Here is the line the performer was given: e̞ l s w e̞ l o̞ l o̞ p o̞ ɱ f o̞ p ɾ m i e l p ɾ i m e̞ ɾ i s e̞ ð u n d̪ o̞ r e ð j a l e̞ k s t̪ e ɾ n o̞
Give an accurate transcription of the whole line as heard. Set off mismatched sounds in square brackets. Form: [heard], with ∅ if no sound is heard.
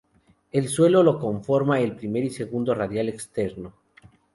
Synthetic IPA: e̞ l s w e̞ l o̞ l o̞ [k] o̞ ɱ f o̞ [∅] ɾ m [a] e l p ɾ i m e̞ ɾ i s e̞ [ɣ] u n d̪ o̞ r [a] ð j a l e̞ k s t̪ e ɾ n o̞